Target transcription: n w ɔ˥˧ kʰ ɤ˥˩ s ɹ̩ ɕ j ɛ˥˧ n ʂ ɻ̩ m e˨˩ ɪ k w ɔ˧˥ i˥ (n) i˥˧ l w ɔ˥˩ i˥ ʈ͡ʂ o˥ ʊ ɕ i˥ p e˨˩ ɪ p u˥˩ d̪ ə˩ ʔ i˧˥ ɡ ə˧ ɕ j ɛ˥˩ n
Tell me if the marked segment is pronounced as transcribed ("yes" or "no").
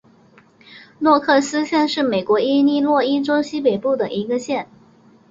yes